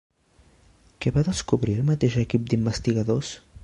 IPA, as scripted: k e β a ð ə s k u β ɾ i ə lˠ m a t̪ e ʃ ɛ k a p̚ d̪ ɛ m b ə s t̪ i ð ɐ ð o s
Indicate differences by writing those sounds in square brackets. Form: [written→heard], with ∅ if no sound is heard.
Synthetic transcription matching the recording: k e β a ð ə s k u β ɾ i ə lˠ m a t̪ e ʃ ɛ k [a→i] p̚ d̪ [ɛ→i] m b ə s t̪ i [ð→ɣ] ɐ ð o s